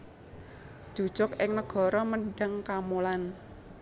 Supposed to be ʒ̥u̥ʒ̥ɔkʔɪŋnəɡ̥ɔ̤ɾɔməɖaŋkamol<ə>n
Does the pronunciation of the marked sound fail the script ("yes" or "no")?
yes